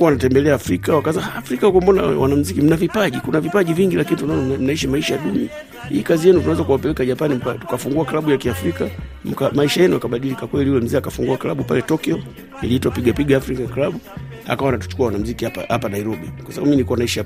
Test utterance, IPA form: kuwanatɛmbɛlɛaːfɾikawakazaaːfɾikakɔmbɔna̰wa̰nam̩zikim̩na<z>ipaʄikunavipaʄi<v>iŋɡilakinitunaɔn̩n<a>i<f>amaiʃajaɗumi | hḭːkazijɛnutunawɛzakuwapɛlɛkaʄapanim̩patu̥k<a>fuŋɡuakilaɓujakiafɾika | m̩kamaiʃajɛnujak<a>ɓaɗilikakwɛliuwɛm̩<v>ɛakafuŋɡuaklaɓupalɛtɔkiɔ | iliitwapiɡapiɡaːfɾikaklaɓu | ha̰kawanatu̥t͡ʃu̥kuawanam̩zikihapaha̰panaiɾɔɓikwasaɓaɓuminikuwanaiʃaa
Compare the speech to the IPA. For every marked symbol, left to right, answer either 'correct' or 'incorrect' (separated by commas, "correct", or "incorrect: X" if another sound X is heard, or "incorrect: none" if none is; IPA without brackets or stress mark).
incorrect: v, correct, correct, incorrect: ʃ, correct, correct, incorrect: z